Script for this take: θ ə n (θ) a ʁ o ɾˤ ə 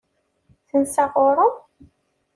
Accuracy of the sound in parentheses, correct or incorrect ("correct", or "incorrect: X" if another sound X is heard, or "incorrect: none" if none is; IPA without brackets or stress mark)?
incorrect: s